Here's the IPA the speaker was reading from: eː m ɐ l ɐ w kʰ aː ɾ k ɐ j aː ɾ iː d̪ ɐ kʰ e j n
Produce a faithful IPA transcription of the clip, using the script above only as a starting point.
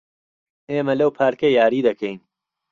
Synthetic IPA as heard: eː m ɐ l ɐ w pʰ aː ɾ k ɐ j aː ɾ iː d̪ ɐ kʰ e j n